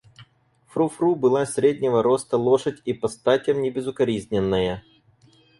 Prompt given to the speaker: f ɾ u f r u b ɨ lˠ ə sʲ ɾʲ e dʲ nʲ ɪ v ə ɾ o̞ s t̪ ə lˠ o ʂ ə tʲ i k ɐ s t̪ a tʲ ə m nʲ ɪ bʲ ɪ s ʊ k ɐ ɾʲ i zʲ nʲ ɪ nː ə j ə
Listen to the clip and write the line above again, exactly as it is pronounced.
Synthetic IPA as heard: f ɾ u f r u b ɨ lˠ a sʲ ɾʲ e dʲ nʲ ɪ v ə ɾ o̞ s t̪ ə lˠ o ʂ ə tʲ i p ɐ s t̪ a tʲ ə m nʲ ɪ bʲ ɪ z ʊ k ɐ ɾʲ i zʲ nʲ ɪ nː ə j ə